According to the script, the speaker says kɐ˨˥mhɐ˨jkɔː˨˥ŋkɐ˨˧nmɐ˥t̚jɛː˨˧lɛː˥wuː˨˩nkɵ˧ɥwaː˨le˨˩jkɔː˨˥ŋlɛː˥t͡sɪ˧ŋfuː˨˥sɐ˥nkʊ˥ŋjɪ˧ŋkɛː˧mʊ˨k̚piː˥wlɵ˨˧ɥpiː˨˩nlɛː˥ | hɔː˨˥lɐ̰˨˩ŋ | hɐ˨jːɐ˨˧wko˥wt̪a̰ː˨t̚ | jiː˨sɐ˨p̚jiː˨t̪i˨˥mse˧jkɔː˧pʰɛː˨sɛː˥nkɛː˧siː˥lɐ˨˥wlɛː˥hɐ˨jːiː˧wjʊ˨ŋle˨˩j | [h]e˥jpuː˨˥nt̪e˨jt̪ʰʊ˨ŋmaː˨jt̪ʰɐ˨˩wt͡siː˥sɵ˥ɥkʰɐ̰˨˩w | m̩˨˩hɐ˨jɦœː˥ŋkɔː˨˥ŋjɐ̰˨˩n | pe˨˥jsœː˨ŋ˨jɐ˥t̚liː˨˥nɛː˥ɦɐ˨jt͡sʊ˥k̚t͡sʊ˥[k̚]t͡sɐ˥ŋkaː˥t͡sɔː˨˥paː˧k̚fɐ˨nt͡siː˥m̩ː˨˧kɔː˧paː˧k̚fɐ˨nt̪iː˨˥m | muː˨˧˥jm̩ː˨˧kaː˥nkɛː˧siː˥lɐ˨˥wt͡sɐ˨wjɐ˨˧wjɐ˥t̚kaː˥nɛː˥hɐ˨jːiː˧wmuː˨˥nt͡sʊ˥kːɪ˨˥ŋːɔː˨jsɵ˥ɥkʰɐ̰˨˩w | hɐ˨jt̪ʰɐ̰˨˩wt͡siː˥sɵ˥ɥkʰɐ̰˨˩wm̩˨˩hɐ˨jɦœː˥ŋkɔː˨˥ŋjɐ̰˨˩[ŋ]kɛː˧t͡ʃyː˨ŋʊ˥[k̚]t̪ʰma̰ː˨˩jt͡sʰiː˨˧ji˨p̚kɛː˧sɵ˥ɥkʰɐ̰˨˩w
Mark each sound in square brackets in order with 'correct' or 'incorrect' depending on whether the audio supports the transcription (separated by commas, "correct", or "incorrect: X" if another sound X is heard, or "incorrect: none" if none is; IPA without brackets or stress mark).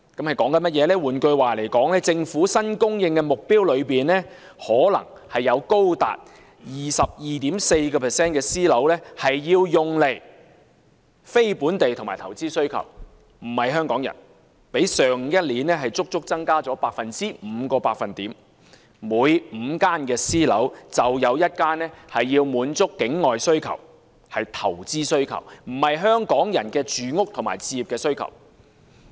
incorrect: f, correct, incorrect: n, correct